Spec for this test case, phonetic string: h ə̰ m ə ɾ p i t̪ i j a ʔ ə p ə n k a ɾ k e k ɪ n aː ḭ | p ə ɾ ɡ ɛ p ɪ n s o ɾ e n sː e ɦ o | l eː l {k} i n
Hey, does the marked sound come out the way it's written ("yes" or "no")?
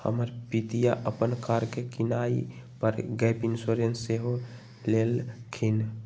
no